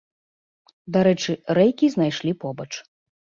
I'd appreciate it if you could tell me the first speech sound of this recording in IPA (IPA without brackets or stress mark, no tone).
d̪